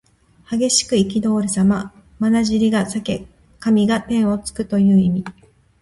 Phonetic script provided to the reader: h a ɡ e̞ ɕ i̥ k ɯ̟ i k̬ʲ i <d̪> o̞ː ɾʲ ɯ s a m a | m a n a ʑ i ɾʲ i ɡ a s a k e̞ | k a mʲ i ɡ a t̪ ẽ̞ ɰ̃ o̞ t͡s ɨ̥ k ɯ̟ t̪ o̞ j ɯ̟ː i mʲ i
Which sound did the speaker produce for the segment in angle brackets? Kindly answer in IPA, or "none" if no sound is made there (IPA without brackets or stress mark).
d̪